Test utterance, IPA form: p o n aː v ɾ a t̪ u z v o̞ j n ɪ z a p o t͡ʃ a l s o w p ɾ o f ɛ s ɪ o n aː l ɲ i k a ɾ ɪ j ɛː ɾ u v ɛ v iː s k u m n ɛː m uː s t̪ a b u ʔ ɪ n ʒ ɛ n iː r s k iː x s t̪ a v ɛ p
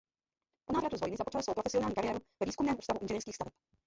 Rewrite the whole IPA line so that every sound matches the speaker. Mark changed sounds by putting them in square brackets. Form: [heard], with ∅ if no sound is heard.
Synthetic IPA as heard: p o n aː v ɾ a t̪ u z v o̞ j n ɪ z a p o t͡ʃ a l s o w p ɾ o f ɛ s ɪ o n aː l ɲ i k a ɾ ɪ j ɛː ɾ u v ɛ v iː s k u m n ɛː m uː s t̪ a [v] u ʔ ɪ n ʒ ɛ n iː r s k iː x s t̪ a v ɛ p

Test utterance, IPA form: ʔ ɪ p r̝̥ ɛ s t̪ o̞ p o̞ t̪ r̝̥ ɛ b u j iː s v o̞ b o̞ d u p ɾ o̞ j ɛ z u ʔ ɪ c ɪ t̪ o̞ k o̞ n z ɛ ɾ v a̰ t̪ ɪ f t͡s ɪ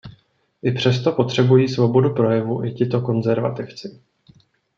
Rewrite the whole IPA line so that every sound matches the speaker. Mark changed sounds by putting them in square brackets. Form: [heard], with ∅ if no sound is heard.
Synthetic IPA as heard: ʔ ɪ p r̝̥ ɛ s t̪ o̞ p o̞ t̪ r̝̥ ɛ b u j iː s v o̞ b o̞ d u p ɾ o̞ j ɛ [v] u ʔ ɪ c ɪ t̪ o̞ k o̞ n z ɛ ɾ v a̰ t̪ ɪ f t͡s ɪ

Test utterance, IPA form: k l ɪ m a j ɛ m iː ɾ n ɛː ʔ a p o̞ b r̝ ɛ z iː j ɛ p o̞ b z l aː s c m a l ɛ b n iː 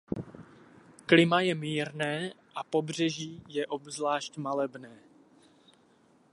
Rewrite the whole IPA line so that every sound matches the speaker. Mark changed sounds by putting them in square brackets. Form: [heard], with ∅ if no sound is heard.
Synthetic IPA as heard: k l ɪ m a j ɛ m iː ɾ n ɛː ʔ a p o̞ b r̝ ɛ [ʒ] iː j ɛ [ʔ] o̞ b z l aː [ʃ] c m a l ɛ b n [ɛː]

